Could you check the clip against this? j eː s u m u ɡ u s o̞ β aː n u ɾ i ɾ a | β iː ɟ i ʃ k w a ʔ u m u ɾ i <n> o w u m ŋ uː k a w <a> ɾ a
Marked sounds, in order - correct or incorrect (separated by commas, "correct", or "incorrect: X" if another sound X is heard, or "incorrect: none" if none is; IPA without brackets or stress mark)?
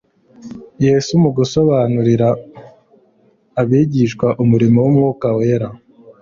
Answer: incorrect: m, incorrect: e